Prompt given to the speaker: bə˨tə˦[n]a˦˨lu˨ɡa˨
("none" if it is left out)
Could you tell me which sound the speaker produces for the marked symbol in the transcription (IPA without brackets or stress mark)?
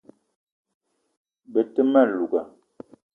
m